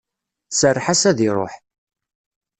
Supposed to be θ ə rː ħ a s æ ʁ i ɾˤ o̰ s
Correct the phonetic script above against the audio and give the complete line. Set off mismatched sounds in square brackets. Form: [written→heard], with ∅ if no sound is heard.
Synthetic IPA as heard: [θ→s] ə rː ħ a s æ [ʁ→ð] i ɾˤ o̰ [s→ħ]